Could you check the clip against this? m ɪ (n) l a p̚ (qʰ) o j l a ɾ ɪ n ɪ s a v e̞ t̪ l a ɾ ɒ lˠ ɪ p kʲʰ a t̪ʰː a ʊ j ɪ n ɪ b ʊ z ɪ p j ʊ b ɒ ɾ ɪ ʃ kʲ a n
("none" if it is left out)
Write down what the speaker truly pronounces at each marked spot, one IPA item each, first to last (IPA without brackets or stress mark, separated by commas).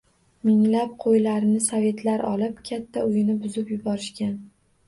ŋ, qʰ